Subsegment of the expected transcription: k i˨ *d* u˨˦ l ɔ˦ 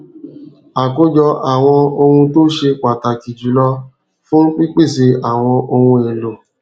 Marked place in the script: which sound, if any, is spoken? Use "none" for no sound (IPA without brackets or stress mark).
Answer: d͡ʒ